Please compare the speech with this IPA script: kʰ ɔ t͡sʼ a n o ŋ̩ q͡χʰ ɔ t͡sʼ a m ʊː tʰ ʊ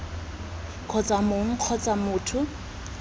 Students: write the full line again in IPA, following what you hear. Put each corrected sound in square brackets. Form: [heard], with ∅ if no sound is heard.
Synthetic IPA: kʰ ɔ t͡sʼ a [m] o ŋ̩ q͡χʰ ɔ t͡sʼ a m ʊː tʰ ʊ